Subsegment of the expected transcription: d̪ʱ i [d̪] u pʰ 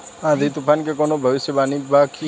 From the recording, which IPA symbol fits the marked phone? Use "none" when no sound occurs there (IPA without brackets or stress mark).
t̪